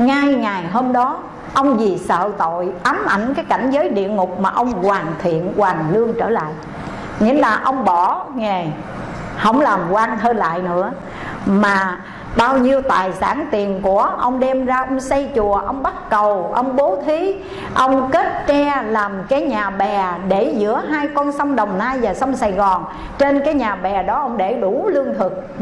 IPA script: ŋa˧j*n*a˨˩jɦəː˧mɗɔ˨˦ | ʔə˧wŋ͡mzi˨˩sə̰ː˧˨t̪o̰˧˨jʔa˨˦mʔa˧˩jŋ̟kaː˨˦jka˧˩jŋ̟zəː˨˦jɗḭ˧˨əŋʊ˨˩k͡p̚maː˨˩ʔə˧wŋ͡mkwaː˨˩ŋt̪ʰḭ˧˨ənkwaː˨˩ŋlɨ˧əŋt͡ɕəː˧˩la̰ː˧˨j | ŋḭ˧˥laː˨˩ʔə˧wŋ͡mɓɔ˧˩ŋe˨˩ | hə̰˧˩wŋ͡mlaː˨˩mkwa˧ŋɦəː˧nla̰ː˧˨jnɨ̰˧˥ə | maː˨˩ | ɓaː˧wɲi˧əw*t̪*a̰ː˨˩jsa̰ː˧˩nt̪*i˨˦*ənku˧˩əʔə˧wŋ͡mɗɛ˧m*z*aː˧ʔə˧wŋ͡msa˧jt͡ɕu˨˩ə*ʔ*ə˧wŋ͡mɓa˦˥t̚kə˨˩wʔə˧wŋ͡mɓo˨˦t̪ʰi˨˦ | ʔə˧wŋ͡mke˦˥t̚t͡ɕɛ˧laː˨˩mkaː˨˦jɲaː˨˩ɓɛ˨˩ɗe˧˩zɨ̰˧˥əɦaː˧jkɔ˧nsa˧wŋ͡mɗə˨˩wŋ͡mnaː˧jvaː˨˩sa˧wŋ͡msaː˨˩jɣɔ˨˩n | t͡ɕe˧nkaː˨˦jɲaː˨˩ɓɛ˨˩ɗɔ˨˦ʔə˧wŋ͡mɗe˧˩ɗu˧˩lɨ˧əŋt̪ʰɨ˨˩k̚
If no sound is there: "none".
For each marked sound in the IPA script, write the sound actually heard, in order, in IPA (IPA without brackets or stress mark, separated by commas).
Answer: ŋ, t̪, i˨˩, z, ʔ